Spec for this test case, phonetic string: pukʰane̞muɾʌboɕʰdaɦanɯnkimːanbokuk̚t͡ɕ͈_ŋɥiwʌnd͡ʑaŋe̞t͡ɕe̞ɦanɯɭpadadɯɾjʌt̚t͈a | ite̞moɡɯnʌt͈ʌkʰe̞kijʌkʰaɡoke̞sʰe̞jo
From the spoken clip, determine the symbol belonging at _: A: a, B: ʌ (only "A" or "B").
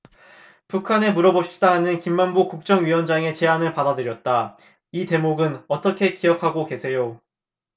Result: B